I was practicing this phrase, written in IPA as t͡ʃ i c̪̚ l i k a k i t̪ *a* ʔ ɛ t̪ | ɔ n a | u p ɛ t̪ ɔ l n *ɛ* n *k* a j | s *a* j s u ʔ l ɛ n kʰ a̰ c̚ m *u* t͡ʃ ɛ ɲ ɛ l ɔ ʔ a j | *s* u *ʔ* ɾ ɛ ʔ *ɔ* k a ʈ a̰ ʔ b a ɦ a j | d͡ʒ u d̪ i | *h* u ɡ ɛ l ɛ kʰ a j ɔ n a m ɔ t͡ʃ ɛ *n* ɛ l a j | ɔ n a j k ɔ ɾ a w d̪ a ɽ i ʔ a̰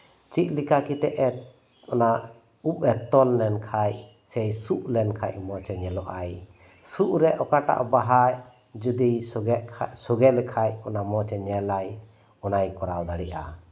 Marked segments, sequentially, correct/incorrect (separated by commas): incorrect, correct, incorrect, incorrect, incorrect, correct, correct, correct, incorrect, incorrect